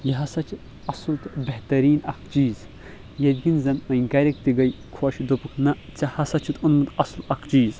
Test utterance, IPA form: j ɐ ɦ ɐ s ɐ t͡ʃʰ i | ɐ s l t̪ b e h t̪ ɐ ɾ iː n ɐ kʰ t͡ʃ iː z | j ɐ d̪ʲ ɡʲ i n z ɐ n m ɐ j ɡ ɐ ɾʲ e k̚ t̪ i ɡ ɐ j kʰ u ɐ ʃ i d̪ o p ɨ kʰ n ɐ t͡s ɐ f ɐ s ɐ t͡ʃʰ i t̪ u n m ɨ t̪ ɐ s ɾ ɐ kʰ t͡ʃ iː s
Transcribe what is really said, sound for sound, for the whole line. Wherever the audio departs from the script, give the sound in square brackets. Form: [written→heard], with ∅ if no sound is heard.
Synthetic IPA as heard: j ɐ ɦ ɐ s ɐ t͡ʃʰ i | ɐ s l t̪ b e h t̪ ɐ ɾ iː n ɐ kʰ t͡ʃ iː z | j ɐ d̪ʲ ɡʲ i n z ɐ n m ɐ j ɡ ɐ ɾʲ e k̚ t̪ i ɡ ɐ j kʰ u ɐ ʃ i d̪ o p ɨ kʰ n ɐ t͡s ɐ [f→h] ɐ s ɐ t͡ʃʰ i t̪ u n m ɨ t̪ ɐ s [ɾ→l] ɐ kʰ t͡ʃ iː [s→z]